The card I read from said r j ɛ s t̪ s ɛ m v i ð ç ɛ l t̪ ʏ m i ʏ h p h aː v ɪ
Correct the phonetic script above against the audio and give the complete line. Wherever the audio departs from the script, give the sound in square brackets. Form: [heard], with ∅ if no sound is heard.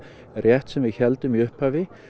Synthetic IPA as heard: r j ɛ [h] t̪ s ɛ m v [ɪ] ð ç ɛ l t̪ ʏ m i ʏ h p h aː v ɪ

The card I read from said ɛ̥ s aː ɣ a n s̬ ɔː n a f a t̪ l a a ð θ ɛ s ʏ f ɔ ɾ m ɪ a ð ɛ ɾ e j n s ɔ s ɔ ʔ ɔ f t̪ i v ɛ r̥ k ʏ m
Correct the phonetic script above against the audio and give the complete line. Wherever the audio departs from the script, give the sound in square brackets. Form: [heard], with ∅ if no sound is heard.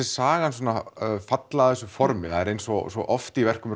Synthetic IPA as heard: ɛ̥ s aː ɣ a n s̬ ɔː n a f a t̪ l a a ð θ ɛ s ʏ f ɔ ɾ m ɪ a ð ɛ ɾ e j n s ɔ s ɔ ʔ ɔ f t̪ i v ɛ r̥ k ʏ m

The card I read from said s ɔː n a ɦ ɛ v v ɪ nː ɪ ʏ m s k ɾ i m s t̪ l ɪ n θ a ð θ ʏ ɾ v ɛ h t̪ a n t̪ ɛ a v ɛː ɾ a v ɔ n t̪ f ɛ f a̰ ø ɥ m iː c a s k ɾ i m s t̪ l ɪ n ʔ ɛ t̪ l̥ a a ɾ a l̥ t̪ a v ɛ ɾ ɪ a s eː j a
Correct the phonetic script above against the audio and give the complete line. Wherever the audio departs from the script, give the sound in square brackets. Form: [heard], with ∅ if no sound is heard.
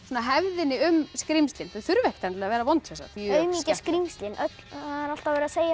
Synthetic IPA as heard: s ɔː n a ɦ ɛ v [ð] ɪ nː ɪ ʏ m s k ɾ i m s t̪ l ɪ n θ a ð θ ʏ ɾ v ɛ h t̪ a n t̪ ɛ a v ɛː ɾ a v ɔ n t̪ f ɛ [s] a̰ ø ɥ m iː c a s k ɾ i m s t̪ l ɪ n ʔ [œ] t̪ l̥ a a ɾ a l̥ t̪ a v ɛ ɾ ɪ a s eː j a

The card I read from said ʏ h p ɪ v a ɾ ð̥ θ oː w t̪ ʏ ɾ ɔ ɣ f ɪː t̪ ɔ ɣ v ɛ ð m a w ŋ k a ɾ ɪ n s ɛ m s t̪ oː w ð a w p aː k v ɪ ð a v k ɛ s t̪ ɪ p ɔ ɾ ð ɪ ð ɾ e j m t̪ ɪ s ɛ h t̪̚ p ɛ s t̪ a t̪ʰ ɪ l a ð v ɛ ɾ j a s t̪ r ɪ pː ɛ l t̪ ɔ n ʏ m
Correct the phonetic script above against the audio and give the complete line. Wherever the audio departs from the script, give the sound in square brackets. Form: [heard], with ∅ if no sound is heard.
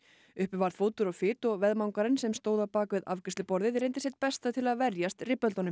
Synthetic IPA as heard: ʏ h p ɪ v a ɾ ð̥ [f] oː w t̪ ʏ ɾ ɔ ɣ f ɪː t̪ ɔ ɣ v ɛ ð m a w ŋ k a ɾ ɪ n s ɛ m s t̪ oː w ð a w p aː k v ɪ ð a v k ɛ s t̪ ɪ p ɔ ɾ ð ɪ ð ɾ e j [n] t̪ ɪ s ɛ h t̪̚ p ɛ s t̪ a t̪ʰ ɪ l a ð v ɛ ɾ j a s t̪ r ɪ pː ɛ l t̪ ɔ n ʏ m

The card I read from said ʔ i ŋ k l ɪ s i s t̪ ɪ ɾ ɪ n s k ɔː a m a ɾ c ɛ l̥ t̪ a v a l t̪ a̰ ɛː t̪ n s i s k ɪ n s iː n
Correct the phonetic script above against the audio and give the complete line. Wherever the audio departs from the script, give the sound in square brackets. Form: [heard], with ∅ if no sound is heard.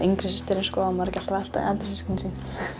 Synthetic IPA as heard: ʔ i ŋ k [ɾ] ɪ s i s t̪ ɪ ɾ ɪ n s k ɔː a m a ɾ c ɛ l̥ t̪ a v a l t̪ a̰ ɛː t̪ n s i s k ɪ n s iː n

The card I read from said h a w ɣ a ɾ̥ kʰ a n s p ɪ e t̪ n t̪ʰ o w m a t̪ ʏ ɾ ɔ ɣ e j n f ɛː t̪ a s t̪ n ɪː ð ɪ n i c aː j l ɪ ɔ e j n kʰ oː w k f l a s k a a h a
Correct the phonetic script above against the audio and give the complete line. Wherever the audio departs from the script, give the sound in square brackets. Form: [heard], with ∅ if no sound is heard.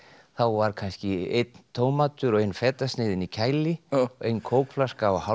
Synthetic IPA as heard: [θ] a w [v] a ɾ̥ kʰ a n s [c] ɪ e t̪ n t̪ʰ o w m a t̪ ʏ ɾ ɔ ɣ e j n f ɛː t̪ a s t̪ n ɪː ð ɪ n i [cʰ] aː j l ɪ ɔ e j n kʰ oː w k f l a s k a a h a

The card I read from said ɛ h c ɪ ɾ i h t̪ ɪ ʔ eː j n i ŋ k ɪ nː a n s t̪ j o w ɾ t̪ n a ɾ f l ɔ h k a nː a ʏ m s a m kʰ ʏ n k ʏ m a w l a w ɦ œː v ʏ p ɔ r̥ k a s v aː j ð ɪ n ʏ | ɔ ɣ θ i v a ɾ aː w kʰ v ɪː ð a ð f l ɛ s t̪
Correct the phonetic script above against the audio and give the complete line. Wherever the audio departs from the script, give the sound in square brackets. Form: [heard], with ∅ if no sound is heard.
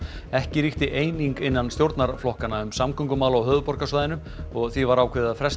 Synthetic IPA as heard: ɛ h c ɪ ɾ i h t̪ ɪ ʔ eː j n i ŋ k ɪ nː a n s t̪ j o w ɾ t̪ n a ɾ f l ɔ h k a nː a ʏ m s a m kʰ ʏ [ŋ] k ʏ m a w l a w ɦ œː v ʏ p ɔ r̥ k a s v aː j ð ɪ n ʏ | ɔ ɣ θ i v a ɾ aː w kʰ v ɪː ð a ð f [ɾ] ɛ s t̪

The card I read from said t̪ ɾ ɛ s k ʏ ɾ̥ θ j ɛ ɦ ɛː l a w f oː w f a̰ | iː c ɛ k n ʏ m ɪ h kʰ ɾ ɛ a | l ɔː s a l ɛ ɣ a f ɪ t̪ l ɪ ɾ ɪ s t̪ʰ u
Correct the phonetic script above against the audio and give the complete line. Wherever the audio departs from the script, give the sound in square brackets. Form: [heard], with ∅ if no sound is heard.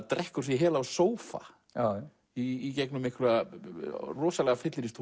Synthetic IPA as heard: t̪ ɾ ɛ [h] k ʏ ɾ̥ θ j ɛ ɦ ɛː l a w [s] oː w f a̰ | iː c ɛ k n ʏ m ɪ h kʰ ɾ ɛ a | [r] ɔː s a l ɛ ɣ a f ɪ t̪ l ɪ ɾ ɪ s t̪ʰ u

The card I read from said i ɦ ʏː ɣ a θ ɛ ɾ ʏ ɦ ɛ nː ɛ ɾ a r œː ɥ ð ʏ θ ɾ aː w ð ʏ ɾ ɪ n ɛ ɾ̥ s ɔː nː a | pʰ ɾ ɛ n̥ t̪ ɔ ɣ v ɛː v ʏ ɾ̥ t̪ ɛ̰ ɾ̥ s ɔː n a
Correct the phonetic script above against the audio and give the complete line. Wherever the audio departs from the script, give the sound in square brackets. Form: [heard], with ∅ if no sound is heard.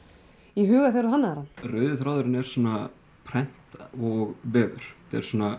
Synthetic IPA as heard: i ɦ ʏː ɣ a θ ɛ ɾ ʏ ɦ [a] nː [a] ɾ a r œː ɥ ð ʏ θ ɾ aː w ð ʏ ɾ ɪ n ɛ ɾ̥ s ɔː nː a | pʰ ɾ ɛ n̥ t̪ ɔ ɣ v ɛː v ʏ ɾ̥ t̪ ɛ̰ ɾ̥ s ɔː n a

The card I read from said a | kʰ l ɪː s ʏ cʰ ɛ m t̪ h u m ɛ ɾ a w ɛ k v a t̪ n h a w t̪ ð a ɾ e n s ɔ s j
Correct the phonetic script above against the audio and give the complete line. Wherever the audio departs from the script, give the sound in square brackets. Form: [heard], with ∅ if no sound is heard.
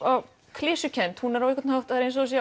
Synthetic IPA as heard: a | kʰ l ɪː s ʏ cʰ ɛ [n] t̪ h u [n] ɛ ɾ a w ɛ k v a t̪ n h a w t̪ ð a ɾ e n s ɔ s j

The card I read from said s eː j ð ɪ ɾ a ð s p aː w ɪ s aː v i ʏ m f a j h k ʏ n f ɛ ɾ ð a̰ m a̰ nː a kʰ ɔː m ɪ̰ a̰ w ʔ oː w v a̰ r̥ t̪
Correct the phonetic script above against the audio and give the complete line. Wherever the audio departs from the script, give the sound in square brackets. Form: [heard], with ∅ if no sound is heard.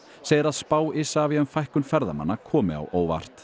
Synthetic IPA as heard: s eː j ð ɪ ɾ a ð s p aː w ɪ s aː v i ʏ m f a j h k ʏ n f ɛ ɾ ð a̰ m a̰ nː a kʰ ɔː m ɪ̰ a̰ w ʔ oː w v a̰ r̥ t̪

